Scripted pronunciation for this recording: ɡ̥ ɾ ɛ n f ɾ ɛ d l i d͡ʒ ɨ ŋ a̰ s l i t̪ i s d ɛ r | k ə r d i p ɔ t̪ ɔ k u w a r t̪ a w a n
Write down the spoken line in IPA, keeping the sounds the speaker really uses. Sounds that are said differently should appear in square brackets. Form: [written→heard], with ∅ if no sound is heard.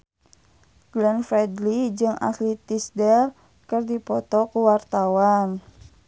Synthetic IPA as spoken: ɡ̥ [ɾ→l] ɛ n f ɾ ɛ d l i d͡ʒ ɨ ŋ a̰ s l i t̪ i s d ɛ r | k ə r d i p ɔ t̪ ɔ k u w a r t̪ a w a n